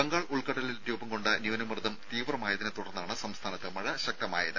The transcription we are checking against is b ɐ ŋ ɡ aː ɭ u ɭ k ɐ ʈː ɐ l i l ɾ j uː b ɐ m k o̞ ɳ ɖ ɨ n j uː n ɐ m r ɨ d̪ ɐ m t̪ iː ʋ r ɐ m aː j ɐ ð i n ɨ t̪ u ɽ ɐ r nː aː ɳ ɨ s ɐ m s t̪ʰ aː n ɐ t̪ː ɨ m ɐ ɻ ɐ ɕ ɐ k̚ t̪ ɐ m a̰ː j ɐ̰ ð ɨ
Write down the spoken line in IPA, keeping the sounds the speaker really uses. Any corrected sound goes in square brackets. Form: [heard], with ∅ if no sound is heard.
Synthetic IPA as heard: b ɐ ŋ ɡ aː ɭ u ɭ k ɐ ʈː ɐ l i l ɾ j uː b ɐ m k o̞ ɳ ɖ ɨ n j uː n ɐ m r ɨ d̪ ɐ m t̪ iː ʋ r ɐ m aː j ɐ ð i n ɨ t̪ u ɽ ɐ r nː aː ɳ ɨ s ɐ m s t̪ʰ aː n ɐ t̪ː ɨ m ɐ ɻ ɐ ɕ ɐ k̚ t̪ ɐ m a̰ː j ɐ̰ ð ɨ